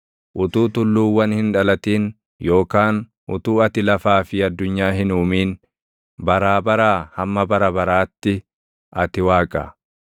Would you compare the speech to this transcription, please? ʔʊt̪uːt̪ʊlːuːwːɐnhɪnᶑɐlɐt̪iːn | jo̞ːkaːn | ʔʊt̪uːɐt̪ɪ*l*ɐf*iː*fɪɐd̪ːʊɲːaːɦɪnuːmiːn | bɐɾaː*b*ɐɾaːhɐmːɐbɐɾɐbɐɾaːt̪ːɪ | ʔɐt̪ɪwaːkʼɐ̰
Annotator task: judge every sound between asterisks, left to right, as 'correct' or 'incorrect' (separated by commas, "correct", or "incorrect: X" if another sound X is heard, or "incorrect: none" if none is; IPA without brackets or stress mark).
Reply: correct, incorrect: aː, correct